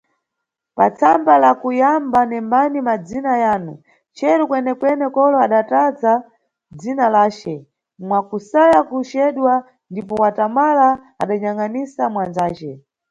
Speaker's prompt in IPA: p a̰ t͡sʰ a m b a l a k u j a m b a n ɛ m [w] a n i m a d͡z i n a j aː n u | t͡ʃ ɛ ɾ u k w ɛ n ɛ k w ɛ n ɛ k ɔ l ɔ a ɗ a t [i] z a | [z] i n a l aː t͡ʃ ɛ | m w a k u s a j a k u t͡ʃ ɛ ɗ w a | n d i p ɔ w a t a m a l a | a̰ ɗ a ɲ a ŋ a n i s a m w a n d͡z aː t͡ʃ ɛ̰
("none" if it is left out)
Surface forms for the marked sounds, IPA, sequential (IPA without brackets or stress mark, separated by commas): b, a, d͡z